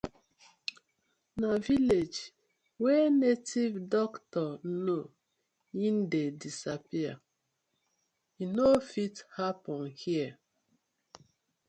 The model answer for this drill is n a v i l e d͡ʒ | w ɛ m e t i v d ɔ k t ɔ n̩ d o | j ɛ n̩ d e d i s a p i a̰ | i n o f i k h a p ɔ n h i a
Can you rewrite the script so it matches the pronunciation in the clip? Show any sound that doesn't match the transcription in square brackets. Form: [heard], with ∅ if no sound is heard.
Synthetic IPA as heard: n a v i l e d͡ʒ | w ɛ [n] e t i v d ɔ k t ɔ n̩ [n] o | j [i] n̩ d e d i s a p i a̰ | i n o f i [t] h a p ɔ n h i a